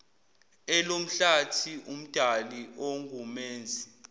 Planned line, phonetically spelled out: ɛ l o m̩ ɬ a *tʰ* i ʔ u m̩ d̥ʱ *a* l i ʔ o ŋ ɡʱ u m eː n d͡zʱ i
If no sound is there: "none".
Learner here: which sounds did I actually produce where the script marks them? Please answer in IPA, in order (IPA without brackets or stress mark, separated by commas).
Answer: tʰ, a